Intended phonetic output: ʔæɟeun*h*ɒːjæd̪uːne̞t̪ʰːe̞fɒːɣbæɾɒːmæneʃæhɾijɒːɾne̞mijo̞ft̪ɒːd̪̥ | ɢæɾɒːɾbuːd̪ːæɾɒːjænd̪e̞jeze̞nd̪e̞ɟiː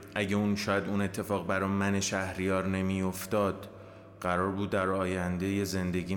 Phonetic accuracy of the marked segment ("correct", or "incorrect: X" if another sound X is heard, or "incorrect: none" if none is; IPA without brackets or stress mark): incorrect: ʃ